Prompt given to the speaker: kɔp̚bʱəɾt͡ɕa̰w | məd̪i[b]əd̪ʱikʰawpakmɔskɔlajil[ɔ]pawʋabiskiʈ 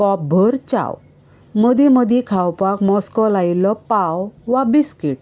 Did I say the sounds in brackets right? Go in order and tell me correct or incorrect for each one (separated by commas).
incorrect, correct